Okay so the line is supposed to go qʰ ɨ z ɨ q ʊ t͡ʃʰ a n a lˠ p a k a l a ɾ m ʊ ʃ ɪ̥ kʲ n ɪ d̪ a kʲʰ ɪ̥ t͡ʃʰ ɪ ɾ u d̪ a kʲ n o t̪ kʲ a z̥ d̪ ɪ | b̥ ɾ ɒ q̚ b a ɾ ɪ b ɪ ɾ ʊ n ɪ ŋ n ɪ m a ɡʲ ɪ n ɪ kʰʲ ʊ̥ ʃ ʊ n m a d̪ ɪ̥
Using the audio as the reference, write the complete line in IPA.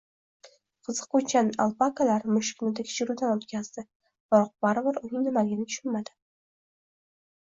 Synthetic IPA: qʰ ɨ z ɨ q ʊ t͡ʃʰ a n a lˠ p a k a l a ɾ m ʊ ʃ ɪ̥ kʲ n ɪ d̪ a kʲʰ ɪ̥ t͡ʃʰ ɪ ɾ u d̪ a n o t̪ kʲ a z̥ d̪ ɪ | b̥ ɾ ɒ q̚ b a ɾ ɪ b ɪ ɾ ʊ n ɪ ŋ n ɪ m a ɡʲ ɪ n ɪ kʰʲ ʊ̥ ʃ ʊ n m a d̪ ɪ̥

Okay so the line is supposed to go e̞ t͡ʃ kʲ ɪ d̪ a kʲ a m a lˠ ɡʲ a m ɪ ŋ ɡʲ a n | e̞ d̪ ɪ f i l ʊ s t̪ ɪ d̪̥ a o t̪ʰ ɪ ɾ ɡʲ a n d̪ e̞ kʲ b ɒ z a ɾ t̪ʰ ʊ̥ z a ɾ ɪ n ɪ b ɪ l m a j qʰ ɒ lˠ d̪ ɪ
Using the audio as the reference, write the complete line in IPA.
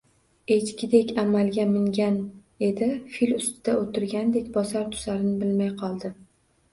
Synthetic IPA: e̞ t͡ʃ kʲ ɪ d̪ e kʲ a m a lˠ ɡʲ a m ɪ ŋ ɡʲ a n | e̞ d̪ ɪ f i l ʊ s t̪ ɪ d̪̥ a o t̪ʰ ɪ ɾ ɡʲ a n d̪ e̞ kʲ b ɒ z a ɾ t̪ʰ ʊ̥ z a ɾ ɪ n ɪ b ɪ l m a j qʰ ɒ lˠ d̪ ɪ

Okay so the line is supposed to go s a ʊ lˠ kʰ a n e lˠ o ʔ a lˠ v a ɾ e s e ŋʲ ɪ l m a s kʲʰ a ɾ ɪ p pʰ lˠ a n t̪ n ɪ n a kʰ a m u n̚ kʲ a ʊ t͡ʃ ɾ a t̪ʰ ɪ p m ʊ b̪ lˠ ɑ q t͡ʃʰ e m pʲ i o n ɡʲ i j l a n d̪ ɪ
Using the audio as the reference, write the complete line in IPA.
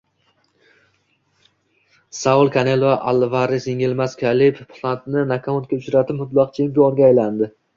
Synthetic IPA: s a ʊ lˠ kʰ a n e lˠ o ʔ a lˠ v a ɾ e s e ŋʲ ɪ l m a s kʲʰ a l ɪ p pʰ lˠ a n t̪ n ɪ n a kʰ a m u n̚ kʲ a ʊ t͡ʃ ɾ a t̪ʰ ɪ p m ʊ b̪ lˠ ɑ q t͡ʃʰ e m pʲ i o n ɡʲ a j l a n d̪ ɪ

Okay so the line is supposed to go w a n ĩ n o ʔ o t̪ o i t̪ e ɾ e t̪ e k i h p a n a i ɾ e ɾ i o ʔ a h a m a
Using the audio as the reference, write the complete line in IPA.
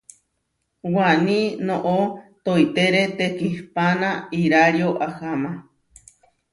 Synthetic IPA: w a n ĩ n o ʔ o t̪ o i t̪ e ɾ e t̪ e k i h p a n a i ɾ a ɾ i o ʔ a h a m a

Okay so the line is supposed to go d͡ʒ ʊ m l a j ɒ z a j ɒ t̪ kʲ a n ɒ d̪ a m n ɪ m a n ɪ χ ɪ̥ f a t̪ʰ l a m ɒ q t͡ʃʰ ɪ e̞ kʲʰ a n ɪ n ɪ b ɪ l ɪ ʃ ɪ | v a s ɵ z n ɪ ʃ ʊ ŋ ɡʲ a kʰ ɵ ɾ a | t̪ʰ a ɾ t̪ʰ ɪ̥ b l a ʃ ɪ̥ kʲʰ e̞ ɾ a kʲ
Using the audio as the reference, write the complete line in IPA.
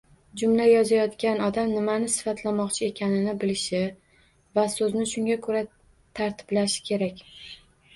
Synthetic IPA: d͡ʒ ʊ m l a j ɒ z a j ɒ t̪ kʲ a n ɒ d̪ a m n ɪ m a n ɪ s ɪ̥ f a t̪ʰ l a m ɒ q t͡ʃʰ ɪ e̞ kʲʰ a n ɪ n ɪ b ɪ l ɪ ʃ ɪ | v a s ɵ z n ɪ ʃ ʊ ŋ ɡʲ a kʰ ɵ ɾ a | t̪ʰ a ɾ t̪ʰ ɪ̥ b l a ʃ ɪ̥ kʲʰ e̞ ɾ a kʲ

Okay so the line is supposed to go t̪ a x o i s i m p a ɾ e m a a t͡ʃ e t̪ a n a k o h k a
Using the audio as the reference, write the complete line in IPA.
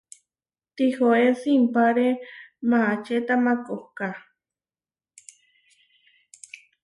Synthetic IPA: t̪ i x o e s i m p a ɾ e m a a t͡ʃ e t̪ a m a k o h k a

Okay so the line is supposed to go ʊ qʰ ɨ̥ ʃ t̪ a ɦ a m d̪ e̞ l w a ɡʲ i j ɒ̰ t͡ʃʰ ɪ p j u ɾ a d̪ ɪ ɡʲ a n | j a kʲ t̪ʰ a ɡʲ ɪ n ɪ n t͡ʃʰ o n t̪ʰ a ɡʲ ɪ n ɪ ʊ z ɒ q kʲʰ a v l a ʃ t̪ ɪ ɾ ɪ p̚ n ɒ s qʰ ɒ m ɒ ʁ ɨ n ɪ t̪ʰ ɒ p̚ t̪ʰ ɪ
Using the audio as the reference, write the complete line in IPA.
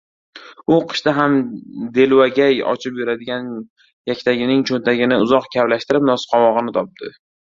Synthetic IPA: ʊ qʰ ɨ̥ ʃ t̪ a ɦ a m d̪ e̞ l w a ɡʲ a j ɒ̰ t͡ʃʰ ɪ p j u ɾ a d̪ ɪ ɡʲ a n | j a kʲ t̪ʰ a ɡʲ ɪ n ɪ ŋ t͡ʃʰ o n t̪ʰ a ɡʲ ɪ n ɪ ʊ z ɒ q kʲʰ a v l a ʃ t̪ ɪ ɾ ɪ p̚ n ɒ s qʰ ɒ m ɒ ʁ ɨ n ɪ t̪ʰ ɒ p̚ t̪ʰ ɪ

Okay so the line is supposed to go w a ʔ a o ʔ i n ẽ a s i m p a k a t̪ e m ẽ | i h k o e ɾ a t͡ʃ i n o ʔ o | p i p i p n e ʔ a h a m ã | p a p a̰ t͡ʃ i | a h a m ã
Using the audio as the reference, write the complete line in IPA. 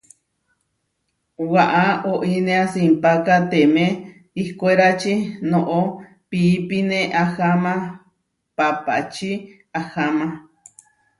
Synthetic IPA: w a ʔ a o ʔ i n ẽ a s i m p a k a t̪ e m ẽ | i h k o e ɾ a t͡ʃ i n o ʔ o | p i p i n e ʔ a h a m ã | p a p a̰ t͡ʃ i | a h a m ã

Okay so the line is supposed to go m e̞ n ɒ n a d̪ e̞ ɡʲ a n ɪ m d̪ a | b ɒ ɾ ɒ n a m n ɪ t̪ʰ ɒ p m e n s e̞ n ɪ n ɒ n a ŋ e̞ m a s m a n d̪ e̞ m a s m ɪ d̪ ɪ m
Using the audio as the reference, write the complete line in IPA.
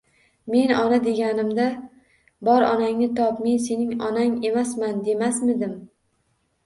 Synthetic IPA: m e̞ n ɒ n a d̪ e̞ ɡʲ a n ɪ m d̪ a | b ɒ ɾ ɒ n a ŋ n ɪ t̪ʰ ɒ p m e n s e̞ n ɪ ŋ ɒ n a ŋ e̞ m a s m a n d̪ e̞ m a s m ɪ d̪ ɪ m

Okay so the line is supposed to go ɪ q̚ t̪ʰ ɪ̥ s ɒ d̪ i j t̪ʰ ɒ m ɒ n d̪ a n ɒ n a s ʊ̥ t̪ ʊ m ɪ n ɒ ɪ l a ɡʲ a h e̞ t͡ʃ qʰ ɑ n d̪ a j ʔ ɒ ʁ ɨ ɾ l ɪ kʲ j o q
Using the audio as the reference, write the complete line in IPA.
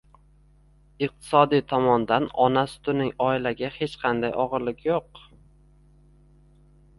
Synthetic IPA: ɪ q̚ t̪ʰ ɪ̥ s ɒ d̪ i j t̪ʰ ɒ m ɒ n d̪ a n ɒ n a s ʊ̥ t̪ ʊ n ɪ ŋ ɒ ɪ l a ɡʲ a h e̞ t͡ʃ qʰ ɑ n d̪ a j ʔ ɒ ʁ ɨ ɾ l ɪ kʲ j o q

